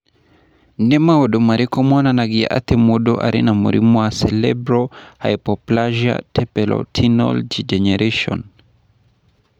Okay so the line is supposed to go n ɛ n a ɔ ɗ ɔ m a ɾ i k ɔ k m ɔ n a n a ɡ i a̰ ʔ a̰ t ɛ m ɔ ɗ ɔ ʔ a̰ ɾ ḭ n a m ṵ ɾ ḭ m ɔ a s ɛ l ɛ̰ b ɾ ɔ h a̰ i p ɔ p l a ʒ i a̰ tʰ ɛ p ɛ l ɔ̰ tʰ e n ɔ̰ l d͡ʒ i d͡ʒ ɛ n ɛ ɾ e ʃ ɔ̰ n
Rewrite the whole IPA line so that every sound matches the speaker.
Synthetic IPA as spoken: n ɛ m a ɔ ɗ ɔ m a ɾ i k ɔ m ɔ n a n a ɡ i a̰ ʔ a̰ t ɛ m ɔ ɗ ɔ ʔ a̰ ɾ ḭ n a m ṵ ɾ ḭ m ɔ a s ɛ l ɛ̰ b ɾ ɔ h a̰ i p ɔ p l a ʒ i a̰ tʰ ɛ p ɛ l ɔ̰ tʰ i n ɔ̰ l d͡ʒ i d͡ʒ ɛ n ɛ ɾ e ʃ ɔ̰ n